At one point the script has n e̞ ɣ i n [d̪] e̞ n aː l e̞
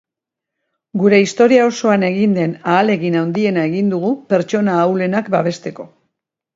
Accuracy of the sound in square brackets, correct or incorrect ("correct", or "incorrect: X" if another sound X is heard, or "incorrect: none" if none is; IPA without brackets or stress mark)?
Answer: correct